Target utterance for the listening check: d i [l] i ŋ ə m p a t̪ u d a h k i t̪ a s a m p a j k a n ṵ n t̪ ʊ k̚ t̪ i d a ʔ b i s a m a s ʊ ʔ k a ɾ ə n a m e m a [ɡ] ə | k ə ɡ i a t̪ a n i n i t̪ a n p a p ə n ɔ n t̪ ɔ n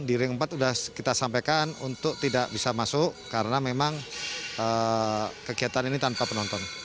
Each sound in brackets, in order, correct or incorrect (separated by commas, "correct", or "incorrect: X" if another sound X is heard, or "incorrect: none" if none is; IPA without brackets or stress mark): incorrect: ɾ, incorrect: ŋ